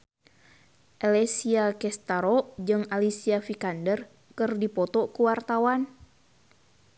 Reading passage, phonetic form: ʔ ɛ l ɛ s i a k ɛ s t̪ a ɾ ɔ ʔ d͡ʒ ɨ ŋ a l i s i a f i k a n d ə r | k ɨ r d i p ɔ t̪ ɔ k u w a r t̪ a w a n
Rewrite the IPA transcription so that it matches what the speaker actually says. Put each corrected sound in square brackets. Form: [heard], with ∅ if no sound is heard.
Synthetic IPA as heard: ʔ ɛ l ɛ s i a k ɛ s t̪ a ɾ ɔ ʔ d͡ʒ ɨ ŋ a l i s i a f i k a n d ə r | k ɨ r d i p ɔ t̪ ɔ k u w a r t̪ a w a n